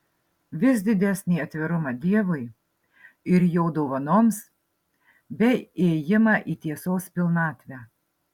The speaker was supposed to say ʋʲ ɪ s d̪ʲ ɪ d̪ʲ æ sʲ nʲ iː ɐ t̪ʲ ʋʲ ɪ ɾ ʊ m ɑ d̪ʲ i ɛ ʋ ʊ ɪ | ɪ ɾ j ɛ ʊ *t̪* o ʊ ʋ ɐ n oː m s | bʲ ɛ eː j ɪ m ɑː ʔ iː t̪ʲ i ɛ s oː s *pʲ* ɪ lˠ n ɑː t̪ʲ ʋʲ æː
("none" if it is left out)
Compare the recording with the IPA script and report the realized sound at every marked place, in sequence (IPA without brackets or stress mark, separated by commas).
d̪, pʲ